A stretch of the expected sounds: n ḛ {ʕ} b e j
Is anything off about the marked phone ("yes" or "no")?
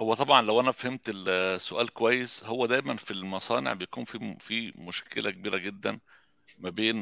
no